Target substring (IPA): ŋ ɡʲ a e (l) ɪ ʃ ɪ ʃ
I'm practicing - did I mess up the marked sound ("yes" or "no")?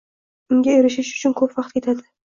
yes